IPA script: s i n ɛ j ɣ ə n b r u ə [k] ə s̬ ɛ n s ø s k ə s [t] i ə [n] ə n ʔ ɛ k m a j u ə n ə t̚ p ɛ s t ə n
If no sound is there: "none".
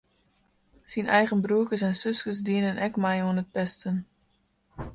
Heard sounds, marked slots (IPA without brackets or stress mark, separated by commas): k, d, n